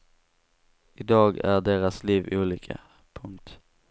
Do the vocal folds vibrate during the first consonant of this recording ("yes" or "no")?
yes